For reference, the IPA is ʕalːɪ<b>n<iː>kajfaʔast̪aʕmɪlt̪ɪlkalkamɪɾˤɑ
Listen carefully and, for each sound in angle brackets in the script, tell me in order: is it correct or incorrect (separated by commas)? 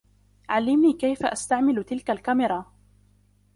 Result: incorrect, correct